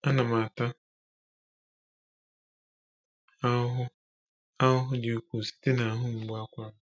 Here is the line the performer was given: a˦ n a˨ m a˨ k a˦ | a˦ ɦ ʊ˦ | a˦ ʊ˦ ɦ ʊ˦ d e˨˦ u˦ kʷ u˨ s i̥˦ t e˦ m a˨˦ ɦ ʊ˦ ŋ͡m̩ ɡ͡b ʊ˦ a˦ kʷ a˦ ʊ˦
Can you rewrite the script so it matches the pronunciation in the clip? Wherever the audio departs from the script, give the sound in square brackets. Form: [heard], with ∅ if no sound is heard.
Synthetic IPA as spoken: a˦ n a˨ m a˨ [t] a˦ | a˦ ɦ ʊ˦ | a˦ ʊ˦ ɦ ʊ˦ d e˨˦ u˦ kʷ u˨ s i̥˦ t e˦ [n] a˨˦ ɦ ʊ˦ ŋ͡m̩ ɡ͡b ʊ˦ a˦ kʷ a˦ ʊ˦